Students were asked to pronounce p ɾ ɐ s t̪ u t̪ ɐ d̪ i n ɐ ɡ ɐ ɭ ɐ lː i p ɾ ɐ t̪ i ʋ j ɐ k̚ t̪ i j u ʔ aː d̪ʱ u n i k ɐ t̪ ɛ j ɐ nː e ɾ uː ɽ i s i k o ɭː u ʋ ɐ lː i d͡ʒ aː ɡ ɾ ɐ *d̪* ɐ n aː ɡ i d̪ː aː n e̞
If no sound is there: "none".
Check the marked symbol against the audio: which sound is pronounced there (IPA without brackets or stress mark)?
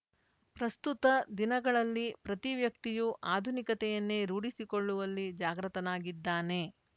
t̪